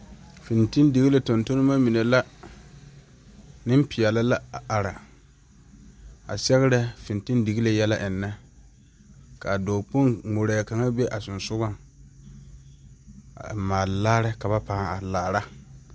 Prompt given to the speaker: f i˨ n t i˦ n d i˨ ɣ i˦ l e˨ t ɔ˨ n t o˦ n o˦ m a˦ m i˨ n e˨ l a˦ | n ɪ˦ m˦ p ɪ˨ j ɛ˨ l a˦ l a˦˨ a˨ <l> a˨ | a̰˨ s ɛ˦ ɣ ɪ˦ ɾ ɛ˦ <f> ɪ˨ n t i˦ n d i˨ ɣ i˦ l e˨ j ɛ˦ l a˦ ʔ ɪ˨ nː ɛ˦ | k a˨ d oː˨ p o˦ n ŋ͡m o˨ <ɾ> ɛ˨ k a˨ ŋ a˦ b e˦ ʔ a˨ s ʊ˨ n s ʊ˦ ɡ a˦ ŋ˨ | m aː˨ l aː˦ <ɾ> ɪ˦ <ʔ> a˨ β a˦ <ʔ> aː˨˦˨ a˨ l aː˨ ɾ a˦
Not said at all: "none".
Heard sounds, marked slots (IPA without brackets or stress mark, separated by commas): ɾ, f, ɾ, ɾ, k, p